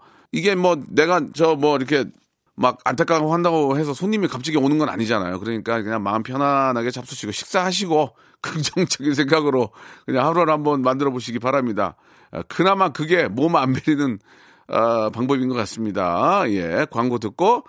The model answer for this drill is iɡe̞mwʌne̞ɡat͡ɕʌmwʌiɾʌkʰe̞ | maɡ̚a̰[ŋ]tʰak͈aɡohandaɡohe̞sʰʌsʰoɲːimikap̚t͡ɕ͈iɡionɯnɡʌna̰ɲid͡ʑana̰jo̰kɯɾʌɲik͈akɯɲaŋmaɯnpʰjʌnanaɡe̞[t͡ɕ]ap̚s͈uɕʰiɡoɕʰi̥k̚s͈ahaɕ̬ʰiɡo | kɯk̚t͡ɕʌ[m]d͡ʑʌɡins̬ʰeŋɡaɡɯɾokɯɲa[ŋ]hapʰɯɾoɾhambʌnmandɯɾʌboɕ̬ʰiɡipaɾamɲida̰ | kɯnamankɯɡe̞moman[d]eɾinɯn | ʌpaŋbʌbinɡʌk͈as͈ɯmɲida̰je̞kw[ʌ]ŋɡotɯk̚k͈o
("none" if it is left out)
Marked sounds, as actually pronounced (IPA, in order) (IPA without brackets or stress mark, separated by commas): n, t͡ɕ, ŋ, ŋ, b, a